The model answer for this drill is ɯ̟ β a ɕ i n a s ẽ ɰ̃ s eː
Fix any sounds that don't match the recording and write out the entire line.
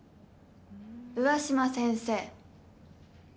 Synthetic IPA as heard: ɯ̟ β a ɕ i m a s ẽ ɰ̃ s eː